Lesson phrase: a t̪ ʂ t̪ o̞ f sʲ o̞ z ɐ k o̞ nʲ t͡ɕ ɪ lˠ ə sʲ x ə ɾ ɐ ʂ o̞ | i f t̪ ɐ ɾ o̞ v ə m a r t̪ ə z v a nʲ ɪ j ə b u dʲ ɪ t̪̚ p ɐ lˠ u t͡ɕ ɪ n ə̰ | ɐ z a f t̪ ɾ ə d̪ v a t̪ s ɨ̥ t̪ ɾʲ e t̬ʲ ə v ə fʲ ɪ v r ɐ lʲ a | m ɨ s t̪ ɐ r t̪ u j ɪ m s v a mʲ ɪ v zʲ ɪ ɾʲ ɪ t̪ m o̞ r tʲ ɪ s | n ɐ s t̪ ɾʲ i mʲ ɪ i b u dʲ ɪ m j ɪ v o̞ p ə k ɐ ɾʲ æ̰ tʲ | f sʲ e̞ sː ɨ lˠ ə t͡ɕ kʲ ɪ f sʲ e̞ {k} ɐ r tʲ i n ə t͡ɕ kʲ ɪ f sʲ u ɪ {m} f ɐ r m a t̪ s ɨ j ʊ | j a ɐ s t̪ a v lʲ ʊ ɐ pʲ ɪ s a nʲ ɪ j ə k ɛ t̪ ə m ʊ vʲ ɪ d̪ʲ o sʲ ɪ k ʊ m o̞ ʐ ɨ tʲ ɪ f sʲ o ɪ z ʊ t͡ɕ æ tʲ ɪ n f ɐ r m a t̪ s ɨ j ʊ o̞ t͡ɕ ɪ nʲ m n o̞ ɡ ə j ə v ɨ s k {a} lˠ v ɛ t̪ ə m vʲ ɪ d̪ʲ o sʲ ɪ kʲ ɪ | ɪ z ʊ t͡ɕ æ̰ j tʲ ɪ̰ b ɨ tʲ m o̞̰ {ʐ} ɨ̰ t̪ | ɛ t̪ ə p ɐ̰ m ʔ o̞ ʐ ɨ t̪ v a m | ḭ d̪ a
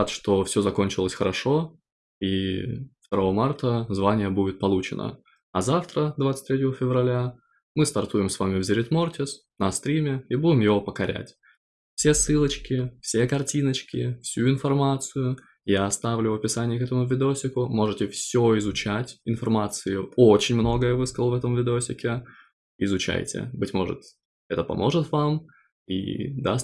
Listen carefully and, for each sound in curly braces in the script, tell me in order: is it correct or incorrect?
correct, incorrect: n, incorrect: ə, correct

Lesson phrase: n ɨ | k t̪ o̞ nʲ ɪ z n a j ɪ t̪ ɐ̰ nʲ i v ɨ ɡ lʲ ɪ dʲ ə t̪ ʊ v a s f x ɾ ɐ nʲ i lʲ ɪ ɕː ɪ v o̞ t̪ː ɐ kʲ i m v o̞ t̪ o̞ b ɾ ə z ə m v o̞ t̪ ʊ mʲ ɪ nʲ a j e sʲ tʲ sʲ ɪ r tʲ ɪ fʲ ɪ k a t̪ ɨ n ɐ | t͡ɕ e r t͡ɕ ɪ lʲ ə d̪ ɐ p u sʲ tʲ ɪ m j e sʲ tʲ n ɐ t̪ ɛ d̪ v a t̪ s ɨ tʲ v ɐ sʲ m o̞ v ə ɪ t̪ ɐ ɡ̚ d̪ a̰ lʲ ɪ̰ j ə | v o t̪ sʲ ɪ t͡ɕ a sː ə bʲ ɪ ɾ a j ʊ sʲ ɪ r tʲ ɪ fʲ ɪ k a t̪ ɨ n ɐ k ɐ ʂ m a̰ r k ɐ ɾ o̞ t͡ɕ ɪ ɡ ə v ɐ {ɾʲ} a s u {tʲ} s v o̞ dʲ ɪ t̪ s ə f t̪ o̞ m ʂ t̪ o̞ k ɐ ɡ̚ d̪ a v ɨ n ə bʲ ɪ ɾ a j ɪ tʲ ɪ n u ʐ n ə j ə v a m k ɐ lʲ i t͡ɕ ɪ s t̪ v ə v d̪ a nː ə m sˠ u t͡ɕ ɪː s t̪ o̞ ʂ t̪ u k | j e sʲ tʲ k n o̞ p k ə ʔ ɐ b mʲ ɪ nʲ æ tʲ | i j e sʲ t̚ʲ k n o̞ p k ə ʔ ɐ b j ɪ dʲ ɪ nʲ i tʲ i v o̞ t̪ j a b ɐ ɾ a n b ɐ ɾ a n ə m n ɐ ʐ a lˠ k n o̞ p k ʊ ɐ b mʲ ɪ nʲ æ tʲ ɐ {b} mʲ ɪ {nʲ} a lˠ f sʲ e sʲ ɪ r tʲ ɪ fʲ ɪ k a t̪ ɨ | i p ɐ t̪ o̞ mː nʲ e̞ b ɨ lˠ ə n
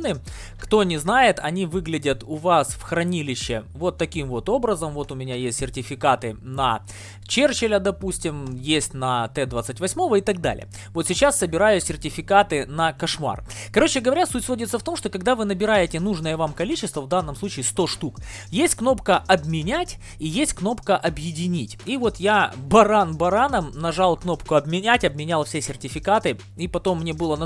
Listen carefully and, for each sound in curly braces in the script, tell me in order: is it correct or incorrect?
correct, correct, correct, correct

